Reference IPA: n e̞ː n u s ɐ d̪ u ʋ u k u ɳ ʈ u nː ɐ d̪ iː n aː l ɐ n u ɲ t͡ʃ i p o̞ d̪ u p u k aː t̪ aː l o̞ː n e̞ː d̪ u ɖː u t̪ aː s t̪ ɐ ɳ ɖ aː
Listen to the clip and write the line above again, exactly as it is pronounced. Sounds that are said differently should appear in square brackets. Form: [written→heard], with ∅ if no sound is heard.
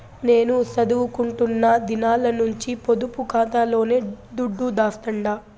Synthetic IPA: n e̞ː n u s ɐ d̪ u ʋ u k u ɳ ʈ u nː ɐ d̪ [iː→i] n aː l ɐ n u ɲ t͡ʃ i p o̞ d̪ u p u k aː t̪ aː l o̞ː n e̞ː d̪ u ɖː u [t̪→d̪] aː s t̪ ɐ ɳ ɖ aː